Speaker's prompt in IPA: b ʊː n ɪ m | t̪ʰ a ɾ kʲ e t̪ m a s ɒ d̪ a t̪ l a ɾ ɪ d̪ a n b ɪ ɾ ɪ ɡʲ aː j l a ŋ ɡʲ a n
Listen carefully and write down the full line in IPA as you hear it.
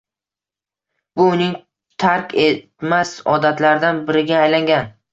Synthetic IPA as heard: b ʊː n ɪ ŋ | t̪ʰ a ɾ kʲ e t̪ m a s ɒ d̪ a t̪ l a ɾ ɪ d̪ a n b ɪ ɾ ɪ ɡʲ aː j l a ŋ ɡʲ a n